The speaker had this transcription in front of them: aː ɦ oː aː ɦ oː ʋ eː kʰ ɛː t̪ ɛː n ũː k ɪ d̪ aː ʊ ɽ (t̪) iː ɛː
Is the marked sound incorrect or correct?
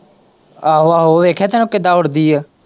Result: incorrect